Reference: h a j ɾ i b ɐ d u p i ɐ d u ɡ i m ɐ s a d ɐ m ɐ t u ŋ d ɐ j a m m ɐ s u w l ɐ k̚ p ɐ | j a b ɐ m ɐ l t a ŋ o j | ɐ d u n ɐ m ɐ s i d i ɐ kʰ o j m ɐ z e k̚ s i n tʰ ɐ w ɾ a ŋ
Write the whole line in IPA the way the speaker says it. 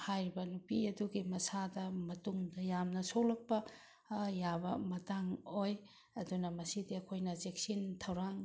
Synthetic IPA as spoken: h a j ɾ i b ɐ n u p i ɐ d u ɡ i m ɐ s a d ɐ m ɐ t u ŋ d ɐ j a m n ɐ s o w l ɐ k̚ p ɐ | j a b ɐ m ɐ t a ŋ o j | ɐ d u n ɐ m ɐ s i d i ɐ kʰ o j n ɐ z e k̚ s i n tʰ ɐ w ɾ a ŋ